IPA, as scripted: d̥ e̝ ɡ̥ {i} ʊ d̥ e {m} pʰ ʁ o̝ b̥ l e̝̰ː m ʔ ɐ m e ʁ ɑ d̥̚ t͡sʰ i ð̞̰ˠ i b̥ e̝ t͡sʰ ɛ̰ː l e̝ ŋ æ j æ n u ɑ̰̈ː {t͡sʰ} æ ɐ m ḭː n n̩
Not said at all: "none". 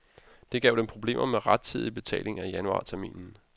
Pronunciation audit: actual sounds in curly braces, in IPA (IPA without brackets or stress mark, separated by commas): ɛ, m, t͡sʰ